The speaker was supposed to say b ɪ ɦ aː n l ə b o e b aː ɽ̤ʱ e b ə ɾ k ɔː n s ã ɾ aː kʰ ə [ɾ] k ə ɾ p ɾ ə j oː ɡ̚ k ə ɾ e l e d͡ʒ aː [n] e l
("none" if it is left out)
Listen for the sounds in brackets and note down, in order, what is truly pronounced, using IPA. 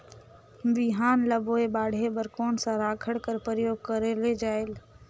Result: ɽ, none

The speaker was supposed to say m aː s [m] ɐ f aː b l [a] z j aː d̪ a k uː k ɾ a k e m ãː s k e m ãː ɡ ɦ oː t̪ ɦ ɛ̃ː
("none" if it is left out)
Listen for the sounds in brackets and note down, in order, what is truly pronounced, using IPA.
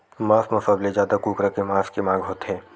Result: m, e

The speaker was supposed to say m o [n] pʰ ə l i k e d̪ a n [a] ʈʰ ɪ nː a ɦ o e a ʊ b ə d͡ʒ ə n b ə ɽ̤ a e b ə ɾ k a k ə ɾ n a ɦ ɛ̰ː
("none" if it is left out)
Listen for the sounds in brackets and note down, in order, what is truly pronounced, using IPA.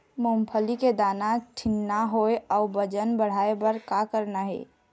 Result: m, a

